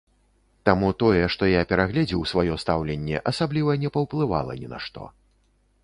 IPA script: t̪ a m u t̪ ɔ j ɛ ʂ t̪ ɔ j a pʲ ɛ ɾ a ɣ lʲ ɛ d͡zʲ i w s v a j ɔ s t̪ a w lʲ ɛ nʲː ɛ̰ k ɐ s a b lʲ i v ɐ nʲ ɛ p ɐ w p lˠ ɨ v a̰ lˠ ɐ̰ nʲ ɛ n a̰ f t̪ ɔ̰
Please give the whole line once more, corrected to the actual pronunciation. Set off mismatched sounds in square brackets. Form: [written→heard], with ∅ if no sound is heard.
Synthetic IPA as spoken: t̪ a m u t̪ ɔ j ɛ ʂ t̪ ɔ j a pʲ ɛ ɾ a ɣ lʲ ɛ d͡zʲ i w s v a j ɔ s t̪ a w lʲ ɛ nʲː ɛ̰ [k→ʔ] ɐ s a b lʲ i v ɐ nʲ ɛ p ɐ w p lˠ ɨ v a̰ lˠ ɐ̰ nʲ ɛ n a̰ [f→ʂ] t̪ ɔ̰